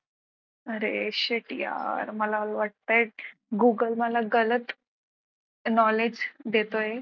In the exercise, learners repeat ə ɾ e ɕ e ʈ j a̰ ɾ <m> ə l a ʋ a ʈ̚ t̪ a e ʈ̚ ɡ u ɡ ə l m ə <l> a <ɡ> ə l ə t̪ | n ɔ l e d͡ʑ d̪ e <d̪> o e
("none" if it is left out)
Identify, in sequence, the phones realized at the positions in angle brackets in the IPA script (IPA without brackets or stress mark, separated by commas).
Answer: m, l, ɡ, t̪